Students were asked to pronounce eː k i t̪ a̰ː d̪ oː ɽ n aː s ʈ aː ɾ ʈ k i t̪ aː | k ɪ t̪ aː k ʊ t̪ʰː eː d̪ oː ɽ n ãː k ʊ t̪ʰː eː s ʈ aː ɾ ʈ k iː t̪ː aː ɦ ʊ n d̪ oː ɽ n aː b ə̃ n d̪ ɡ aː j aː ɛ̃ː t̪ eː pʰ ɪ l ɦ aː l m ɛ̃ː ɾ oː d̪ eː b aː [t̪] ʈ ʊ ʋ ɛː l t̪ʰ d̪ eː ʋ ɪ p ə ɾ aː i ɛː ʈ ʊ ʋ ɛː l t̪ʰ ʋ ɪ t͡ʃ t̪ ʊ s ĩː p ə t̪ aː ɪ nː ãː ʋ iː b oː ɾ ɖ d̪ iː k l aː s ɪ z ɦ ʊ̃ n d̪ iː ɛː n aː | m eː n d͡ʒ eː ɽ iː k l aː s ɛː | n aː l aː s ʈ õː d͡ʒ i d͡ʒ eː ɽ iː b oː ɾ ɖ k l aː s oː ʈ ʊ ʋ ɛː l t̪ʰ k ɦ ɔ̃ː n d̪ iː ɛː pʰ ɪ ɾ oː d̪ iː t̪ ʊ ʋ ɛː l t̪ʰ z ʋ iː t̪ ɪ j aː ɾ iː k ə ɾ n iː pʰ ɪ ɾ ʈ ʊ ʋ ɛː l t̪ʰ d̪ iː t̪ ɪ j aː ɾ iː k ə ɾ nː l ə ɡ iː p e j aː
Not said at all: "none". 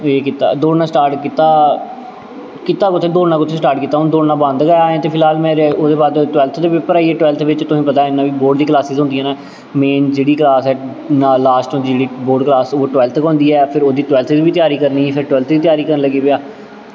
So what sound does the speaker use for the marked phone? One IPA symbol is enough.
d̪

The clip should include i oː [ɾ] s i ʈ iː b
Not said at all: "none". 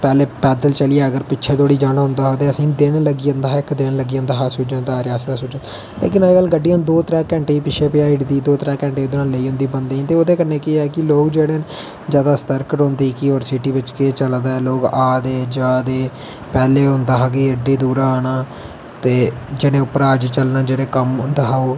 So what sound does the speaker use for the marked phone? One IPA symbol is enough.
ɾ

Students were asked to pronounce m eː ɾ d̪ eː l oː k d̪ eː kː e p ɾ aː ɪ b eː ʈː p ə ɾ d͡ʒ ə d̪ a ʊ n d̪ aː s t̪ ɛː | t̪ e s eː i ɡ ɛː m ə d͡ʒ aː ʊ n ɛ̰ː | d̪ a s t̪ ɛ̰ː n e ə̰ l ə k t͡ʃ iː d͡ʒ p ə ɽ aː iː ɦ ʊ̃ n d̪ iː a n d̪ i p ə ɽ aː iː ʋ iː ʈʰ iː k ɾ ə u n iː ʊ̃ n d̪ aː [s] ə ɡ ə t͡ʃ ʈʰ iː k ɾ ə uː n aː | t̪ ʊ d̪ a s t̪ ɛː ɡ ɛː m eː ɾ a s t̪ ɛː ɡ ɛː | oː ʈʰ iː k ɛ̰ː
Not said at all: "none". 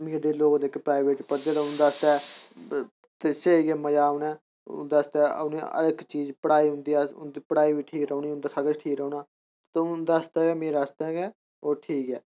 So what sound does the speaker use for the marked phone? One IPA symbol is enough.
s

